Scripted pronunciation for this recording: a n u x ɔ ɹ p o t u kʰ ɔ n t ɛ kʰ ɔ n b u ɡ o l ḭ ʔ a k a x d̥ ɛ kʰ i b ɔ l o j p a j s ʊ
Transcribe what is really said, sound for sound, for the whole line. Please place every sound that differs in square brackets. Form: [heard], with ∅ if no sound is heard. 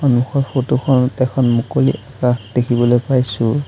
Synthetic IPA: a n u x ɔ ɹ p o t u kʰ ɔ n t ɛ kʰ ɔ n [m] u [k] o l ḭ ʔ a k a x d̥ [e] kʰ i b ɔ l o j p a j s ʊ